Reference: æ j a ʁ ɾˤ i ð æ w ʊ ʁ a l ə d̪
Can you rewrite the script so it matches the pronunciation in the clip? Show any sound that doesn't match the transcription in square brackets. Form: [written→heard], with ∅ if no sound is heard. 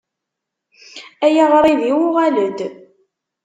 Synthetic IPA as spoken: æ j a ʁ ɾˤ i ð [æ→i] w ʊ ʁ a l ə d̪